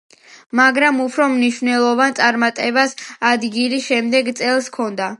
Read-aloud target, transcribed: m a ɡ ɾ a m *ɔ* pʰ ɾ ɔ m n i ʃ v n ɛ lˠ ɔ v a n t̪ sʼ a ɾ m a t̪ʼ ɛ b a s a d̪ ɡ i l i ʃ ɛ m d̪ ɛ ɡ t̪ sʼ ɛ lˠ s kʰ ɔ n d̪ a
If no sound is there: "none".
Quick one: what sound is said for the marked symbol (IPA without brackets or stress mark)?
u